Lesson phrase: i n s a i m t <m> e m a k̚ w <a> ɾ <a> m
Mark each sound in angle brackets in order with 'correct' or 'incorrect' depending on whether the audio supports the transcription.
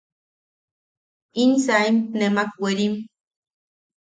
incorrect, incorrect, incorrect

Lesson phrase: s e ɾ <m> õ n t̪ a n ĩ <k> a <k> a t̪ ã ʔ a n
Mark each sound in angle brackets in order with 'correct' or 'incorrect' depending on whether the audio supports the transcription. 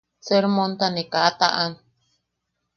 correct, correct, incorrect

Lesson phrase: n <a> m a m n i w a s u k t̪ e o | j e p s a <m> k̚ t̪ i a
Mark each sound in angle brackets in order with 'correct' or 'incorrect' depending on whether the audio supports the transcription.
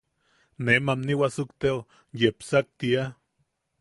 incorrect, incorrect

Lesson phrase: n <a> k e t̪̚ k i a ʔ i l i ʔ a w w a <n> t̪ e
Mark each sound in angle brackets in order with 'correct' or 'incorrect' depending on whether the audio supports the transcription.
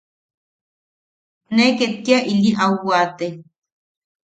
incorrect, incorrect

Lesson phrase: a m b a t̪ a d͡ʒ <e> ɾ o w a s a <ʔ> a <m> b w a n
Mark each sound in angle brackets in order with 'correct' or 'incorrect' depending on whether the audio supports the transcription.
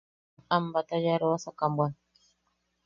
incorrect, incorrect, correct

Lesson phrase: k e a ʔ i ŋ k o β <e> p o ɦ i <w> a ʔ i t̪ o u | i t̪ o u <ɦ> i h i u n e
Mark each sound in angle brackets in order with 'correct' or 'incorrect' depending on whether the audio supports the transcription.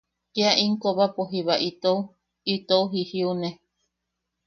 incorrect, incorrect, correct

